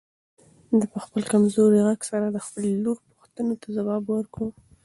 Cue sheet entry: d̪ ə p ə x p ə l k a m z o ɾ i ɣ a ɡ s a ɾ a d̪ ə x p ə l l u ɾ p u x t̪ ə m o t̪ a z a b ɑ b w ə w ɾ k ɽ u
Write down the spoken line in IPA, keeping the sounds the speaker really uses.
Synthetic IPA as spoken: d̪ ə p ə x p ə l k a m z o ɾ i ɣ a ɡ s a ɾ a d̪ ə x p ə l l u ɾ p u x t̪ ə n o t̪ a z a w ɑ b w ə ɾ k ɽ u